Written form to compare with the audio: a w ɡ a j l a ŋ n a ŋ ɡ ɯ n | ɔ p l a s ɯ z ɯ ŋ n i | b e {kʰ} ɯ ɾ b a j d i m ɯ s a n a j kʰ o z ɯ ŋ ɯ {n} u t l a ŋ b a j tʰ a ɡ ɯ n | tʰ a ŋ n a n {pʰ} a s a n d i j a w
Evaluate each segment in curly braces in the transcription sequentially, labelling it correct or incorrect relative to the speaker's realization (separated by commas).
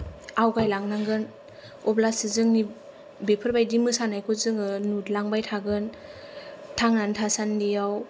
incorrect, correct, incorrect